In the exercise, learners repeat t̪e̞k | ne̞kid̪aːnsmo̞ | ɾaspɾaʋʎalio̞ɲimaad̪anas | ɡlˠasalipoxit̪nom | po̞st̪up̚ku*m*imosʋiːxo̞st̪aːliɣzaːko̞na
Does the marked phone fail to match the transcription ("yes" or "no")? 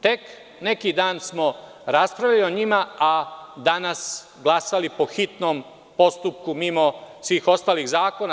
no